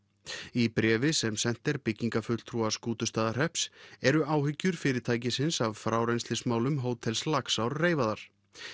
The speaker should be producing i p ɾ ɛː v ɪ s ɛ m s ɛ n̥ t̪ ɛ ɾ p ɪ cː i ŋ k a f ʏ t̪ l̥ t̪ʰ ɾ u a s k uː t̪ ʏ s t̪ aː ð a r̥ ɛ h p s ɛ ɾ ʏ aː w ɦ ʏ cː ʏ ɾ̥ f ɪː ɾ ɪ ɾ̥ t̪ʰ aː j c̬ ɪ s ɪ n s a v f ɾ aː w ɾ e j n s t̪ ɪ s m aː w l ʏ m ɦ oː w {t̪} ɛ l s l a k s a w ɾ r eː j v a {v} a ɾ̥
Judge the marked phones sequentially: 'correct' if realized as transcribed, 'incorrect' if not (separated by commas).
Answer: incorrect, incorrect